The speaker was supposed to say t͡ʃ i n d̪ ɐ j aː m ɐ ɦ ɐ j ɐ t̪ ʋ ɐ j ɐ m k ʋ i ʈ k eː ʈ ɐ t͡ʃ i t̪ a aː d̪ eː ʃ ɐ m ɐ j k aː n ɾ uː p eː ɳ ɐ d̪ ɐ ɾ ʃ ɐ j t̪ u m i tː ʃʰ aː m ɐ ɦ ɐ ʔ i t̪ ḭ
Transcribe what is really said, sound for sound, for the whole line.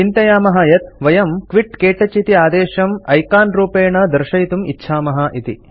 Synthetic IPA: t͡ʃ i n t̪ ɐ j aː m ɐ ɦ ɐ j ɐ t̪ ʋ ɐ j ɐ m k ʋ i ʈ k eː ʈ ɐ t͡ʃ i t̪ i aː d̪ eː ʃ ɐ m ɐ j k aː n ɾ uː p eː ɳ ɐ d̪ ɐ ɾ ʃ ɐ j t̪ u m i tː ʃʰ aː m ɐ ɦ ɐ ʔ i t̪ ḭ